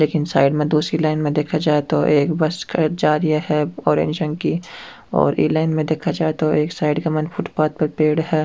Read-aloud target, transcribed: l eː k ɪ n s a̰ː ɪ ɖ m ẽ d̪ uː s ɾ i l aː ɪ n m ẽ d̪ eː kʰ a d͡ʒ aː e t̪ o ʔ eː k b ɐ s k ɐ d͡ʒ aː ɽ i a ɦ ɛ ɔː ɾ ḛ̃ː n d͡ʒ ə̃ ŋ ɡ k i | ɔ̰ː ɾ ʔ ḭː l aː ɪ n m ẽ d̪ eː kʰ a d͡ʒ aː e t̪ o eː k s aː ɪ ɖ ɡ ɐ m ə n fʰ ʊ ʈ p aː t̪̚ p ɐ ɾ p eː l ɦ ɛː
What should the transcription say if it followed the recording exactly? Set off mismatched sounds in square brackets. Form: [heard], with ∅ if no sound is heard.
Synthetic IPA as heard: l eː k ɪ n s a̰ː ɪ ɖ m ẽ d̪ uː s ɾ i l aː ɪ n m ẽ d̪ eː kʰ a d͡ʒ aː e t̪ o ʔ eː k b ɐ s k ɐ d͡ʒ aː [ɾ] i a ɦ ɛ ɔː ɾ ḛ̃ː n d͡ʒ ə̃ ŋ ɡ k i | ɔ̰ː ɾ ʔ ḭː l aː ɪ n m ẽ d̪ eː kʰ a d͡ʒ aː e t̪ o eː k s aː ɪ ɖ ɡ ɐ m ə n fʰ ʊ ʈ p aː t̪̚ p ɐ ɾ p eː [ɽ] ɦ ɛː